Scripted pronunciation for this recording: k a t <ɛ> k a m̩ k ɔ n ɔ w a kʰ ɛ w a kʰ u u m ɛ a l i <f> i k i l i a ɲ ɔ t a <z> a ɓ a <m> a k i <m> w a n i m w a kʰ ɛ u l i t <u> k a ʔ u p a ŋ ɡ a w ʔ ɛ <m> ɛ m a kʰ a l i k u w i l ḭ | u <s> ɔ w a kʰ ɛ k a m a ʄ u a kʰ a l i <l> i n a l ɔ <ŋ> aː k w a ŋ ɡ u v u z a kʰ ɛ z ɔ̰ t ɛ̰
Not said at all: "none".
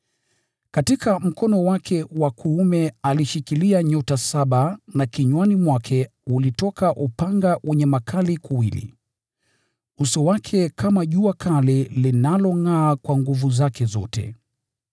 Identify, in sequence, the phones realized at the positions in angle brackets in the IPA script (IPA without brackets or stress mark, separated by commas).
i, ʃ, s, n, ɲ, ɔ, ɲ, s, l, ŋ